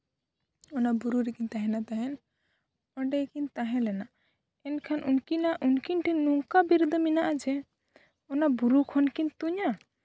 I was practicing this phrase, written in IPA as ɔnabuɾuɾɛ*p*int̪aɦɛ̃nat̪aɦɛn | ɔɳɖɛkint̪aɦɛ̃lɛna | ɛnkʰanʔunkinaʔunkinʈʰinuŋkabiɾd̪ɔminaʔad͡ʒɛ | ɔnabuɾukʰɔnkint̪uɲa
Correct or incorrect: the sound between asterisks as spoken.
incorrect: k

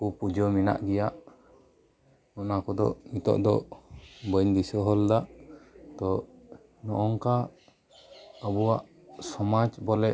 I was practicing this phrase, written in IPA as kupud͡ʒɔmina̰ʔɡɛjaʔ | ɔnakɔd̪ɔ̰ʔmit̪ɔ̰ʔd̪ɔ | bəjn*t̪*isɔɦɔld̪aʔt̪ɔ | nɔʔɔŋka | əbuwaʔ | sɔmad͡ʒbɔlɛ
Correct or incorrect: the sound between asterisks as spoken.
incorrect: d̪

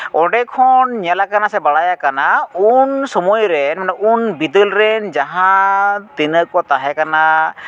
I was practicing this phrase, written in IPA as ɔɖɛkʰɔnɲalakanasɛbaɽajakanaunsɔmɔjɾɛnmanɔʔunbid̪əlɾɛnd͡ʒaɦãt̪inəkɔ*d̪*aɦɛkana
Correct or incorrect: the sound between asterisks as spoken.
incorrect: t̪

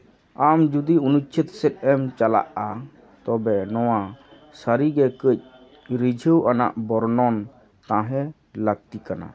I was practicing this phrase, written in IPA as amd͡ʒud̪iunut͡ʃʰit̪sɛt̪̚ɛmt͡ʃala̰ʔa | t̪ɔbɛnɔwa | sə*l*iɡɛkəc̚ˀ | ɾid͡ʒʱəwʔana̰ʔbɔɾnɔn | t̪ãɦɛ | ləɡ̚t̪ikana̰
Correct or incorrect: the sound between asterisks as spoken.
incorrect: ɾ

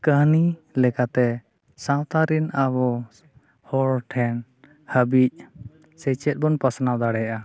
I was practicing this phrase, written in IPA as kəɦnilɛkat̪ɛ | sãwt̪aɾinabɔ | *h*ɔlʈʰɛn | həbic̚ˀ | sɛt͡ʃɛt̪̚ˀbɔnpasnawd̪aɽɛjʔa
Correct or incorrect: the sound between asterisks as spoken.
correct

